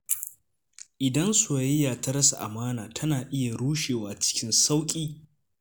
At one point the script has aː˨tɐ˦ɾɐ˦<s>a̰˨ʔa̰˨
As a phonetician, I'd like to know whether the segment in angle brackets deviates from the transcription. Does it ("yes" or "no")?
no